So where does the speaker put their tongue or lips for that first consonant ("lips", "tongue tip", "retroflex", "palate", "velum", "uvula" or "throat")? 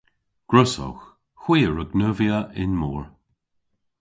velum